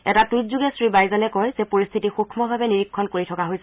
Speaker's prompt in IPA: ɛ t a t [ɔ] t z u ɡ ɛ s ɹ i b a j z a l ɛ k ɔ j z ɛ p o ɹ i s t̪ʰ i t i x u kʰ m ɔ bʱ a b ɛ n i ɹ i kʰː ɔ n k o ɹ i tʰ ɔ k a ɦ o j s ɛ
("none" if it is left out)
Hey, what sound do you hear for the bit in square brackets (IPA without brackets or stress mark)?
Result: u